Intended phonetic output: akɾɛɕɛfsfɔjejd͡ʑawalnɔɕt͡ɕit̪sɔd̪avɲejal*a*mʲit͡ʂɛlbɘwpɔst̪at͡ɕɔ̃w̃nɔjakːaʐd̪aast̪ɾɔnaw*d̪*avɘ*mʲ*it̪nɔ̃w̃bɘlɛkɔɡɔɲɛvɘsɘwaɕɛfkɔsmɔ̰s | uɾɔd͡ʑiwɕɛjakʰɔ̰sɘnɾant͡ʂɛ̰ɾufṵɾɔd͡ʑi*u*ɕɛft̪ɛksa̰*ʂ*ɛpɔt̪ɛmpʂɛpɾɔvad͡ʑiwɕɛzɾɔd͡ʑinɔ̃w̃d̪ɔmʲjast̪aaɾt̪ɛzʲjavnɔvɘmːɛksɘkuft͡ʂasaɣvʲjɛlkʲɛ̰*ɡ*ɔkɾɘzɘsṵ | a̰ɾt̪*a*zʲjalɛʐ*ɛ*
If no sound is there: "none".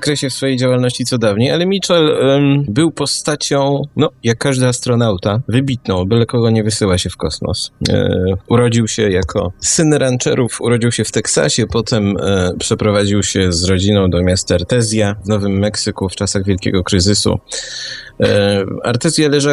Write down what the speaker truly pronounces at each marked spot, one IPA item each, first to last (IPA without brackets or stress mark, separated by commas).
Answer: ɛ, t̪, bʲ, w, ɕ, ɡ, ɛ, a